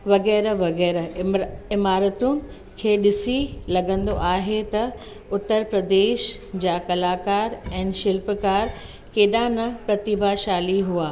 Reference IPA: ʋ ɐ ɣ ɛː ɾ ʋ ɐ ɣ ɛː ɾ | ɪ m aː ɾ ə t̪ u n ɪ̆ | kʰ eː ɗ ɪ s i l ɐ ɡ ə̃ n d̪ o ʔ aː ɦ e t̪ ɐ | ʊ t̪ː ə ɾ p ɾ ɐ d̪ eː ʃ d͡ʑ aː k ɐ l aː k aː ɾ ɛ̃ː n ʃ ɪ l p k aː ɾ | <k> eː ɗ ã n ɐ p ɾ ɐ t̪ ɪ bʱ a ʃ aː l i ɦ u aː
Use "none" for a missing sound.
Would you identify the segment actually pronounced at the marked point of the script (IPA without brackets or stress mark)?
k